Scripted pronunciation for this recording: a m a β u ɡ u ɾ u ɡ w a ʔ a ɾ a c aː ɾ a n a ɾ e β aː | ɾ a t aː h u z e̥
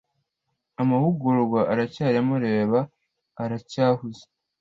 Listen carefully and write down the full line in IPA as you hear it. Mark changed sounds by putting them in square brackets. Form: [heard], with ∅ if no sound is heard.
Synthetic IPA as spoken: a m a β u ɡ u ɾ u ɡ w a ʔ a ɾ a c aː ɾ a [m] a ɾ e β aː | ɾ a [c] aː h u z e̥